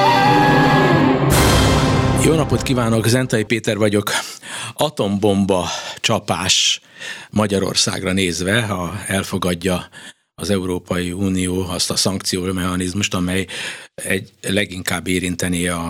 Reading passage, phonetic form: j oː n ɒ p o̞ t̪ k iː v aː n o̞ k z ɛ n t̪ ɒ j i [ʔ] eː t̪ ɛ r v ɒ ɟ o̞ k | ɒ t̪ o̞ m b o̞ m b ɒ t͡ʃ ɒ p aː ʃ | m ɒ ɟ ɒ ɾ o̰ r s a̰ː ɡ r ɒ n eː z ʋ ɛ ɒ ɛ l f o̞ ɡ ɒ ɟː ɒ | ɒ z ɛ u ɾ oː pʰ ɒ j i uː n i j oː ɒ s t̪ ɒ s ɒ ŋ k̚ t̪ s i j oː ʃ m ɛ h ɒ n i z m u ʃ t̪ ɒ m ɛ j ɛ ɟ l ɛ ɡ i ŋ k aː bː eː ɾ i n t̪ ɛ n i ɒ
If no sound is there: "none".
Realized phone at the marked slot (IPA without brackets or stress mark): p